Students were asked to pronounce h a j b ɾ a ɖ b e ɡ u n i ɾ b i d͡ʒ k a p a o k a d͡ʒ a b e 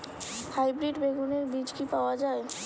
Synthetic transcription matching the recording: h a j b ɾ i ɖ b e ɡ u n e ɾ b i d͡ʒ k i p a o a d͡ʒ a e